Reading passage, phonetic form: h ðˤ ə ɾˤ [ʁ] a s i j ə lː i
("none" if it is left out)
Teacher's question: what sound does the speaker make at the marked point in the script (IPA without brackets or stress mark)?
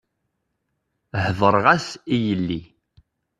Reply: ʁ